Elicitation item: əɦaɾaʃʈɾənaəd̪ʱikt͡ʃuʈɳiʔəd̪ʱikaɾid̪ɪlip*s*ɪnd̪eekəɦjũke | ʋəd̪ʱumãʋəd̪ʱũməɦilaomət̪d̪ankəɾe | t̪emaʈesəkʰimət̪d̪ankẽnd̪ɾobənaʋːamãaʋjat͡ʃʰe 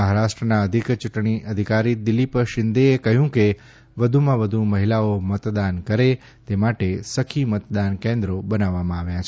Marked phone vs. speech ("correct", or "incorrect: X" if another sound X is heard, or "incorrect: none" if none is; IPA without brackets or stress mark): incorrect: ʃ